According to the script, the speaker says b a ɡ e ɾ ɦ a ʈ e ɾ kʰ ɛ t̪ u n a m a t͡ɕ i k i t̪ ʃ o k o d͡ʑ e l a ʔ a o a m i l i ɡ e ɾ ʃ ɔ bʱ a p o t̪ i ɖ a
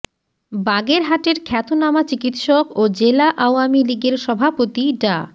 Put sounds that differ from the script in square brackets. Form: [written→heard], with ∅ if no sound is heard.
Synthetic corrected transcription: b a ɡ e ɾ ɦ a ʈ e ɾ kʰ ɛ t̪ [u→o] n a m a t͡ɕ i k i t̪ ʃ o k o d͡ʑ e l a ʔ a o a m i l i ɡ e ɾ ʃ ɔ bʱ a p o t̪ i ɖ a